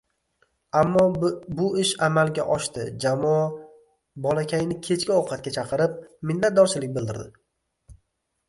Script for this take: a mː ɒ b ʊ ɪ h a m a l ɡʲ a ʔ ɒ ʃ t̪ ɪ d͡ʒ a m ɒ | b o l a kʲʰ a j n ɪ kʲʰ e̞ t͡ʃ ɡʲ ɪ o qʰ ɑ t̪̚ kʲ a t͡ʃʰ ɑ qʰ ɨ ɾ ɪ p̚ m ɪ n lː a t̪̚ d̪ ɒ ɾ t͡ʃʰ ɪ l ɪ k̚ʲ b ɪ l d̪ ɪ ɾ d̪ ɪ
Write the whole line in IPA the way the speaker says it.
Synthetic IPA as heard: a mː ɒ b ʊ ɪ ʃ a m a l ɡʲ a ʔ ɒ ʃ t̪ ɪ d͡ʒ a m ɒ | b ɒ l a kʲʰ a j n ɪ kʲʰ e̞ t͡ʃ kʲ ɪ o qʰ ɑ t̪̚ kʲ a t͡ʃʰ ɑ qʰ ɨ ɾ ɪ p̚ m ɪ n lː a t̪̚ d̪ ɒ ɾ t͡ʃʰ ɪ l ɪ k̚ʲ b ɪ l d̪ ɪ ɾ d̪ ɪ